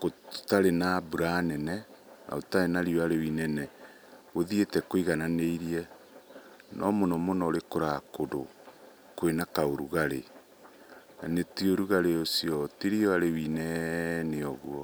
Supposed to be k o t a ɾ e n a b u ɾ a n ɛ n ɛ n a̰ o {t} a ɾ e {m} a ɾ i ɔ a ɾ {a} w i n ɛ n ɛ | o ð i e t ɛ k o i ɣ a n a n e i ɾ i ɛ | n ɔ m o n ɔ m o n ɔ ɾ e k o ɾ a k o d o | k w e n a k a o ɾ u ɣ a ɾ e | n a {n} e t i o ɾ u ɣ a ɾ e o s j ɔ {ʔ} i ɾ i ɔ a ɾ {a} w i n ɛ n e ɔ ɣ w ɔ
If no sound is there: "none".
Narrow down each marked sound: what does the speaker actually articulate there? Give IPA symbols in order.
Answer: t, n, e, n, t, e

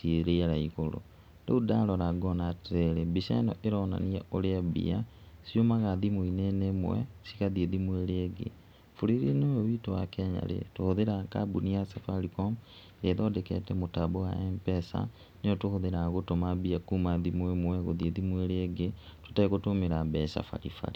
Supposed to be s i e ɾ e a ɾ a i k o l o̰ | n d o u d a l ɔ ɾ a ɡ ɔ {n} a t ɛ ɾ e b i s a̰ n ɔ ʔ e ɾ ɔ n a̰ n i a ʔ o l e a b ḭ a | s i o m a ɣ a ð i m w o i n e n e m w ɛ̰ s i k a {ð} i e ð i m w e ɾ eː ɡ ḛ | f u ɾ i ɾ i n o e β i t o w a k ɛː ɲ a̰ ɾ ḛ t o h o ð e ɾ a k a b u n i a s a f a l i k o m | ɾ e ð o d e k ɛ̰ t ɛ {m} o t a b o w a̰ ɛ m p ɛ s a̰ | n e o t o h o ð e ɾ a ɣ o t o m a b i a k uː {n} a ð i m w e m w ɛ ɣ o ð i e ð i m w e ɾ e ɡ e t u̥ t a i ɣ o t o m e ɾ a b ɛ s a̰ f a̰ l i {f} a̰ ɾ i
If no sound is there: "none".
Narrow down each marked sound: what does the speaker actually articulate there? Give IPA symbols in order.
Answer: n, ð, m, m, f

